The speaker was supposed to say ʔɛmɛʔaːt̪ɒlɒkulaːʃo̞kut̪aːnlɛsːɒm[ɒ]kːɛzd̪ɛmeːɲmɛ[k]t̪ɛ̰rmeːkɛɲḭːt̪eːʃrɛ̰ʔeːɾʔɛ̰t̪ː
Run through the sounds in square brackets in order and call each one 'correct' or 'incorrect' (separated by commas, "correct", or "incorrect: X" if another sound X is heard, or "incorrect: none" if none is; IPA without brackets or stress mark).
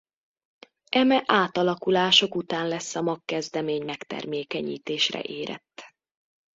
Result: correct, correct